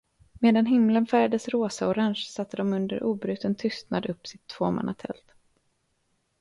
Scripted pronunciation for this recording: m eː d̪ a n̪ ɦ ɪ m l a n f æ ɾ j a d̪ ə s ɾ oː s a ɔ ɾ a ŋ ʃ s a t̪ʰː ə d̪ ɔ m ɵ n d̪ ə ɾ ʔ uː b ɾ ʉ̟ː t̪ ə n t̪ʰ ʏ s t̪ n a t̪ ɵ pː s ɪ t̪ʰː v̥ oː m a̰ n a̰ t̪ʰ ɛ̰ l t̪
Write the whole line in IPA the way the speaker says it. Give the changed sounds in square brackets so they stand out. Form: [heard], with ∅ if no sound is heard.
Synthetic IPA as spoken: m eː d̪ a n̪ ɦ ɪ m l [ə] n f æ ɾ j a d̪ ə s ɾ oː s a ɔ ɾ a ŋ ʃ s a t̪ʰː ə d̪ ɔ m ɵ n d̪ ə ɾ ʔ uː b ɾ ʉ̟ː t̪ ə n t̪ʰ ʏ s t̪ n a [d̪] ɵ pː s ɪ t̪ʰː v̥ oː m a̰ n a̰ t̪ʰ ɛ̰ l t̪